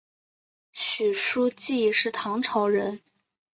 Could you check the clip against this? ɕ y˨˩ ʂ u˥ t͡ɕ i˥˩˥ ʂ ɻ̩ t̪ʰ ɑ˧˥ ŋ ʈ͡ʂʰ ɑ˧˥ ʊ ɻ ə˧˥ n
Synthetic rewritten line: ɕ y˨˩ ʂ u˥ t͡ɕ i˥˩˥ ʂ ɻ̩ t̪ʰ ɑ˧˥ ŋ ʈ͡ʂʰ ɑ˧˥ ʊ ɻ ə˧˥ n

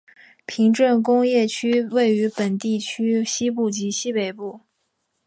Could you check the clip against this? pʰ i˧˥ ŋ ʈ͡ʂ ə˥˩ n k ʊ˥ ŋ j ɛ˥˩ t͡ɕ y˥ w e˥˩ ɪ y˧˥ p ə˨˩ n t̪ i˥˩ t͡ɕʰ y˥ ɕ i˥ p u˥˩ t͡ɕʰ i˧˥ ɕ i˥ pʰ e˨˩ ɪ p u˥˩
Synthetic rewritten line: pʰ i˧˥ ŋ ʈ͡ʂ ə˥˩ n k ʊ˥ ŋ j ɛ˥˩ t͡ɕʰ y˥ w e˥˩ ɪ y˧˥ p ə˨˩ n t̪ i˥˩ t͡ɕʰ y˥ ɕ i˥ p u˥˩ t͡ɕ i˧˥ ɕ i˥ p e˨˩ ɪ p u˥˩

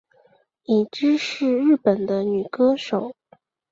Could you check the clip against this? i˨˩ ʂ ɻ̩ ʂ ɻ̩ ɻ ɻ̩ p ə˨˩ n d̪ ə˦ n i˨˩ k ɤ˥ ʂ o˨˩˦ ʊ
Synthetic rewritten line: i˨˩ ʈ͡ʂ ɻ̩ ʂ ɻ̩ ɻ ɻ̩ p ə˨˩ n d̪ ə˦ n y˨˩ k ɤ˥ ʂ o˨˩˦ ʊ

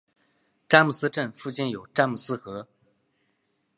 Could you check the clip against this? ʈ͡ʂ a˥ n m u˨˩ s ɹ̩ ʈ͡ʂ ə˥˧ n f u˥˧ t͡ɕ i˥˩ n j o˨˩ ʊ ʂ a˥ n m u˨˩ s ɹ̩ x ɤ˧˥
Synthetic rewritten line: ʈ͡ʂ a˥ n m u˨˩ s ɹ̩ ʈ͡ʂ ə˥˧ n f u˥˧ t͡ɕ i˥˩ n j o˨˩ ʊ ʈ͡ʂ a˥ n m u˨˩ s ɹ̩ x ɤ˧˥

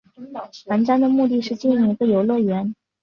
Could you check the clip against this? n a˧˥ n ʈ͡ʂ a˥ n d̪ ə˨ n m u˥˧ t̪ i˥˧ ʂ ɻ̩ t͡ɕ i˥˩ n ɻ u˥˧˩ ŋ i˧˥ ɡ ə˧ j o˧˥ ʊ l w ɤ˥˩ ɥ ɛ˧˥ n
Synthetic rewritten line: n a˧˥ n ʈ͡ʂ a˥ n d̪ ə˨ m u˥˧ t̪ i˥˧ ʂ ɻ̩ t͡ɕ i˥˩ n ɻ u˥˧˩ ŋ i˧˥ ɡ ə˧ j o˨˩ ʊ l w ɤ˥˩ ɥ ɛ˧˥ n

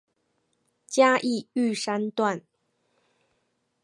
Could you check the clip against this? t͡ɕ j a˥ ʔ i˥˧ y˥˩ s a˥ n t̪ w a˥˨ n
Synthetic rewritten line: t͡ɕ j a˥ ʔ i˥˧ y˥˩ ʂ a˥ n t̪ w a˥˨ n

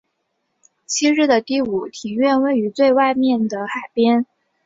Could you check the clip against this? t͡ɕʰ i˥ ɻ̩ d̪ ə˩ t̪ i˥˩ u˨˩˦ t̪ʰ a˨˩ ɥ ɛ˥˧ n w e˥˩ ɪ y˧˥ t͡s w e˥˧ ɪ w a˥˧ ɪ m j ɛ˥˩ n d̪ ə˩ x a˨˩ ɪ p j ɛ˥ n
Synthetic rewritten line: t͡ɕʰ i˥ ɻ̩ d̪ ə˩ t̪ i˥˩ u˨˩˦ t̪ʰ i˨˩ ɥ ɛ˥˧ n w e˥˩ ɪ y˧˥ t͡s w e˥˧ ɪ w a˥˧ ɪ m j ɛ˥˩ n d̪ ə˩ x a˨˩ ɪ p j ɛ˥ n

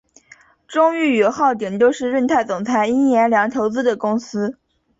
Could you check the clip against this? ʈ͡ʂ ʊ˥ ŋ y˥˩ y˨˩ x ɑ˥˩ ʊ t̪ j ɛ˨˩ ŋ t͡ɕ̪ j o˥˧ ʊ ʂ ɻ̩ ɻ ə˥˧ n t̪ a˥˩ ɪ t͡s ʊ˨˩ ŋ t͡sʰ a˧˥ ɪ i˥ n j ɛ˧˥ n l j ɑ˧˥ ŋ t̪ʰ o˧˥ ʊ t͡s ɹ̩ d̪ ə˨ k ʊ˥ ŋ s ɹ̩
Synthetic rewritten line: ʈ͡ʂ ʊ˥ ŋ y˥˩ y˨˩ x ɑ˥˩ ʊ t̪ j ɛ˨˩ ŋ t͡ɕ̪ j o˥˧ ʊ ʂ ɻ̩ ɻ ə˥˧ n t̪ʰ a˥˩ ɪ t͡s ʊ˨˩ ŋ t͡sʰ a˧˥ ɪ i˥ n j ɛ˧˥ n l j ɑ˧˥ ŋ t̪ʰ o˧˥ ʊ t͡s ɹ̩ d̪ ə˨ k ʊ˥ ŋ s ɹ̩

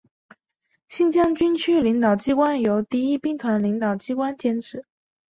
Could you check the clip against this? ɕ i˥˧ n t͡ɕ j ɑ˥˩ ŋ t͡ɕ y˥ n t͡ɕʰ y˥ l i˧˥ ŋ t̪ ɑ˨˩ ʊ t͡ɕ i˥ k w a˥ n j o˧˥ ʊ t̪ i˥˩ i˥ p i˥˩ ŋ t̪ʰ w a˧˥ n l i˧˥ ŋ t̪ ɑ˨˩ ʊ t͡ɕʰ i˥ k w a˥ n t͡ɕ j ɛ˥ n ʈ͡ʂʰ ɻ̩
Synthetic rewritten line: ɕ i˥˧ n t͡ɕ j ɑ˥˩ ŋ t͡ɕ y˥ n t͡ɕʰ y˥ l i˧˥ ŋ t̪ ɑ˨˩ ʊ t͡ɕ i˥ k w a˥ n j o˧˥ ʊ t̪ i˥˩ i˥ p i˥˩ ŋ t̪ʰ w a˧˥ n l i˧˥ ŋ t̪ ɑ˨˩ ʊ t͡ɕ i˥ k w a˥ n t͡ɕ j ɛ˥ n ʈ͡ʂʰ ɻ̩

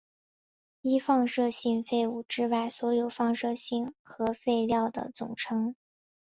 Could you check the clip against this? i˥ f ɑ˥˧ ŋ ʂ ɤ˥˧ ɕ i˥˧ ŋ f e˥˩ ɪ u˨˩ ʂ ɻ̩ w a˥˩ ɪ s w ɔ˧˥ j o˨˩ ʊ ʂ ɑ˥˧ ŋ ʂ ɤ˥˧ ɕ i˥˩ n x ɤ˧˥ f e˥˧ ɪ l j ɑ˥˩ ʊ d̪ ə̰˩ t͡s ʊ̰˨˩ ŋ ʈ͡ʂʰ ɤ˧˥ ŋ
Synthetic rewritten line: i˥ f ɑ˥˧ ŋ ʂ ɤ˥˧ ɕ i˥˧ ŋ f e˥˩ ɪ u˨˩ ʈ͡ʂ ɻ̩ w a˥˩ ɪ s w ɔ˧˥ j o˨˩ ʊ f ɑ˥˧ ŋ ʂ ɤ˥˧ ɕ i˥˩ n x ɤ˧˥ f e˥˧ ɪ l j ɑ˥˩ ʊ d̪ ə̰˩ t͡s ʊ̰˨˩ ŋ ʈ͡ʂʰ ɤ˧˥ ŋ

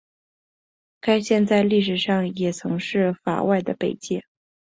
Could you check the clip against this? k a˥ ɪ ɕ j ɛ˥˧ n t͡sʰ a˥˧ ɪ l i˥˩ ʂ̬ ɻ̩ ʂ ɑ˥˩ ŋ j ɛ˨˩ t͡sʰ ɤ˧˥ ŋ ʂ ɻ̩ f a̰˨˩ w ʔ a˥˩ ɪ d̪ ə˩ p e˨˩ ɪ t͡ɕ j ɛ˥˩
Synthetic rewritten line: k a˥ ɪ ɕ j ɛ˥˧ n t͡s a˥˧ ɪ l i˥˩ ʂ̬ ɻ̩ ʂ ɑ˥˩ ŋ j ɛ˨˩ t͡sʰ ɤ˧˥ ŋ ʂ ɻ̩ f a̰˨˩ w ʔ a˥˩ ɪ d̪ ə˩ p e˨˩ ɪ t͡ɕ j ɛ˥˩

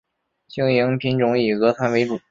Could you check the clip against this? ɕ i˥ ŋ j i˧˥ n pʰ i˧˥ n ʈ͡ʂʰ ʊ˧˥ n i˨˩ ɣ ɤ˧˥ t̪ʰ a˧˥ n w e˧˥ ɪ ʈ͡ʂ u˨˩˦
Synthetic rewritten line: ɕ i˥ ŋ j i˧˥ ŋ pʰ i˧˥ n ʈ͡ʂ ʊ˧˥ ŋ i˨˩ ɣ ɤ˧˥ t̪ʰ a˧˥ n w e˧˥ ɪ ʈ͡ʂ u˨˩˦

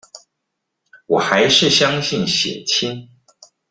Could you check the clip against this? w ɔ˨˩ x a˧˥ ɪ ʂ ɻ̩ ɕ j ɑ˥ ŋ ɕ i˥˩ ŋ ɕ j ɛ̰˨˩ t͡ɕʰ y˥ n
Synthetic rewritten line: w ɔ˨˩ x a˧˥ ɪ ʂ ɻ̩ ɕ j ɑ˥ ŋ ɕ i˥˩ n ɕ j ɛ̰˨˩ t͡ɕʰ i˥ n

